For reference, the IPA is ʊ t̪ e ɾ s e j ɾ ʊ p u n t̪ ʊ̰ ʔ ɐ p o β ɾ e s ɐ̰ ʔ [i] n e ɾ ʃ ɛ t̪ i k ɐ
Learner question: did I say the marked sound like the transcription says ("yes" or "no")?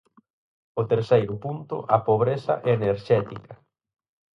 no